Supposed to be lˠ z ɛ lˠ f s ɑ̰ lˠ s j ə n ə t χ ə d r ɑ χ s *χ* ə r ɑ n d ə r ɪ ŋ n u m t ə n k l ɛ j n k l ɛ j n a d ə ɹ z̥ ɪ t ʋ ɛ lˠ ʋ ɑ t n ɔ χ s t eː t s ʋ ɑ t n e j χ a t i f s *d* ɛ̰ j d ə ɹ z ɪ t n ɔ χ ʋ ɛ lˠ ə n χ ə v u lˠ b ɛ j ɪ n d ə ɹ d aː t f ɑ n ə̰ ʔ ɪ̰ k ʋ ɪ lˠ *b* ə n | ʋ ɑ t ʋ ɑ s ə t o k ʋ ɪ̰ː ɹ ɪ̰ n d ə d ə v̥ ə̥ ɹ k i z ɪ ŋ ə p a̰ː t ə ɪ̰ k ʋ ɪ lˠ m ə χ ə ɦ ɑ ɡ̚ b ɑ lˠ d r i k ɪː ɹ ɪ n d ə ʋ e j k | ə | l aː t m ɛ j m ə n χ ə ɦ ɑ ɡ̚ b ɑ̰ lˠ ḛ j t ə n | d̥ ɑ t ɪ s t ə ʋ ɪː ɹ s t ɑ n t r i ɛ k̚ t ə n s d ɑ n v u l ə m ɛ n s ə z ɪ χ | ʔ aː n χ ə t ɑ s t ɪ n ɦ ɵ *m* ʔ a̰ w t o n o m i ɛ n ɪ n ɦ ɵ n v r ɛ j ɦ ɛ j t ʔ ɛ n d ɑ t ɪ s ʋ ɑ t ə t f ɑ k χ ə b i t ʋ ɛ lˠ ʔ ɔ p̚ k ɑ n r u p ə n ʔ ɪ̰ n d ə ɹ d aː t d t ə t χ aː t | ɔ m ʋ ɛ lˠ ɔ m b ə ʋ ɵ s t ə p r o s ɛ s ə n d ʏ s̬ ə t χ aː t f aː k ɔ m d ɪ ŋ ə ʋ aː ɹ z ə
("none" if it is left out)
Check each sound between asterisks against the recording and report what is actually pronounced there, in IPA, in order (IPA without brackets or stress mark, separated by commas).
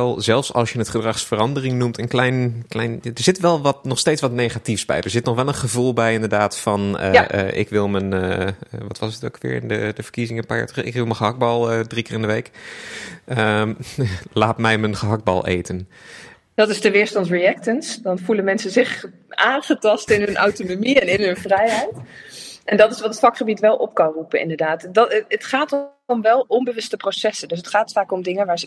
f, b, m, n